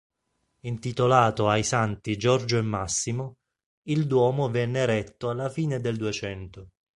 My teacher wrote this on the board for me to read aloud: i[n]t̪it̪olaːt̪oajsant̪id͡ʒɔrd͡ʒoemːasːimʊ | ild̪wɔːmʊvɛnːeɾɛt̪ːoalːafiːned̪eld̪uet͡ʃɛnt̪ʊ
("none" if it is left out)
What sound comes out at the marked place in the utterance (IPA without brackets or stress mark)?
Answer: n